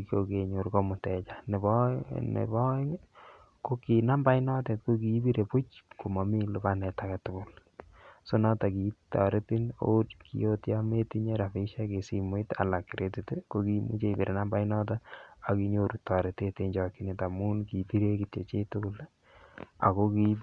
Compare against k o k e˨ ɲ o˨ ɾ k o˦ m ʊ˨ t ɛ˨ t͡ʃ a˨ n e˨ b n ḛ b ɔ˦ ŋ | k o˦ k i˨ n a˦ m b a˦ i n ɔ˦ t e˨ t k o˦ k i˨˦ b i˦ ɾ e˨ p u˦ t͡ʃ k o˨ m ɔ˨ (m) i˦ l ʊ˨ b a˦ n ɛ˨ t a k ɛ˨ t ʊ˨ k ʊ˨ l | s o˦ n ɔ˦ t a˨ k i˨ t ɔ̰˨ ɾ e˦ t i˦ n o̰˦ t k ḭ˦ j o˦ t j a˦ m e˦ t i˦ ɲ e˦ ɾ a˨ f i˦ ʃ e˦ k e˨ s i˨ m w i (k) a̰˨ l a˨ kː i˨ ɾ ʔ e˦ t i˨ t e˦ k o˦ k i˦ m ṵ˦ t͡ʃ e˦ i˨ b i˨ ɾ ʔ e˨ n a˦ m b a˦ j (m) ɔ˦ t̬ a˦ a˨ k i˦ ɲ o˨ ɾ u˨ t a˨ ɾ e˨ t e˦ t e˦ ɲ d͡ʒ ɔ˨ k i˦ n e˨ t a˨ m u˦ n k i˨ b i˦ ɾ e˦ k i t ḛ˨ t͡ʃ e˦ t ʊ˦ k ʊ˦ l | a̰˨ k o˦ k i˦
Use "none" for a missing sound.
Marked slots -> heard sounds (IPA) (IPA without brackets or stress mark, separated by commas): m, t, n